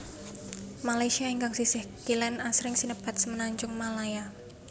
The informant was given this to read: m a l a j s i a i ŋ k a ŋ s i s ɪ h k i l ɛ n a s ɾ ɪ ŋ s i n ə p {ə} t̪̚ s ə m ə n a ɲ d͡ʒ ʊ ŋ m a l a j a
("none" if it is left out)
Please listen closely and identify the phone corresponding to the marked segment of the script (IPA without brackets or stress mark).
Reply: a